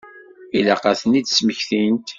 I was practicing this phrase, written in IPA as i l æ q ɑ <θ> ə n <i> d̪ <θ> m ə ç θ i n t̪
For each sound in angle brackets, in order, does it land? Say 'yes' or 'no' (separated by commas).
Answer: yes, yes, no